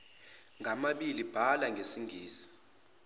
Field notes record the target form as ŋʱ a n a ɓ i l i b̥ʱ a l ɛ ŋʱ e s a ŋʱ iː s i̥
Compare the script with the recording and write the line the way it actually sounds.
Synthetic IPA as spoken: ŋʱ a m a ɓ i l i b̥ʱ a l a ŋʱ e s i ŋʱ iː s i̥